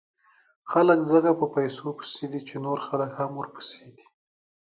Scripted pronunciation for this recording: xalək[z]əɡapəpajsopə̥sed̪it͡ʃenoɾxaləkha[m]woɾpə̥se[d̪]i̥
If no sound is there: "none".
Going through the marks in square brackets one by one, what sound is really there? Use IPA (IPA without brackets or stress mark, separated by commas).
z, m, d̪